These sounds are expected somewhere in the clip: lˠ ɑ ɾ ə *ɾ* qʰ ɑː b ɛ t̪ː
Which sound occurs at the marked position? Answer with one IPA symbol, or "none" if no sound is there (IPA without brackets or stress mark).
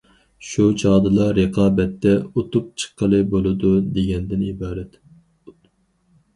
none